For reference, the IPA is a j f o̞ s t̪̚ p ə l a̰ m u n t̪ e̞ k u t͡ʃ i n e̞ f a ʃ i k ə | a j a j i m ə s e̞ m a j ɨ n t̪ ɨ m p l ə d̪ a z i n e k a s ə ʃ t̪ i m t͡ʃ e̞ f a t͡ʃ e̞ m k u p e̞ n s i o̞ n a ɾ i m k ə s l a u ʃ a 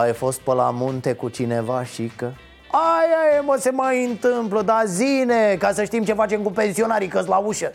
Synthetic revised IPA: a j f o̞ s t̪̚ p ə l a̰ m u n t̪ e̞ k u t͡ʃ i n e̞ v a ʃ i k ə | a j a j e m ə s e̞ m a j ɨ n t̪ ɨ m p l ə d̪ a z i n e k a s ə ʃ t̪ i m t͡ʃ e̞ f a t͡ʃ e̞ m k u p e̞ n s i o̞ n a ɾ i k ə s l a u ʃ ə